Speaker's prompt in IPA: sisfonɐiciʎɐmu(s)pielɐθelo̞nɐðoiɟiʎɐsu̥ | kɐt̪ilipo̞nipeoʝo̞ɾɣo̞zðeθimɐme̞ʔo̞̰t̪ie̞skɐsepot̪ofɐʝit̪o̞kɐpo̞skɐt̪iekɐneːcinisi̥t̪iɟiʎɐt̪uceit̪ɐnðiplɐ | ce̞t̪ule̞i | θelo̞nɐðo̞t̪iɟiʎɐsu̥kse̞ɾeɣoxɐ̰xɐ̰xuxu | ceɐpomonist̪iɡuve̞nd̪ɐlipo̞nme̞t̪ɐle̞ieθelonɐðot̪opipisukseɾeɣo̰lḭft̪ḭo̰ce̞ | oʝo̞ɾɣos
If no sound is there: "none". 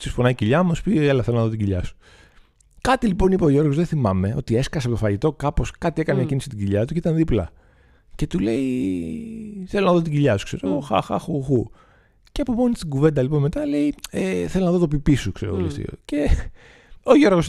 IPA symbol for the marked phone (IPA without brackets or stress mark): s